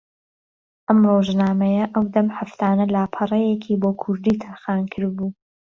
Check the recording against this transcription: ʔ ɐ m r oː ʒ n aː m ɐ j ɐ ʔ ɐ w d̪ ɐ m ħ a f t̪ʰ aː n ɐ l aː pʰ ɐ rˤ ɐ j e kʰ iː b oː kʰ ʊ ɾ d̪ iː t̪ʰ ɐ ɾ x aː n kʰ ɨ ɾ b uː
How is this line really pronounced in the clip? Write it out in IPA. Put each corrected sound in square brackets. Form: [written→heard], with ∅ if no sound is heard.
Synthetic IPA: ʔ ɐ m r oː ʒ n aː m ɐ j ɐ ʔ ɐ w d̪ ɐ m ħ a f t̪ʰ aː n ɐ l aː pʰ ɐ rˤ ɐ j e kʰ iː b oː kʰ ʊ ɾ d̪ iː t̪ʰ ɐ ɾ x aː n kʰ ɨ ɾ b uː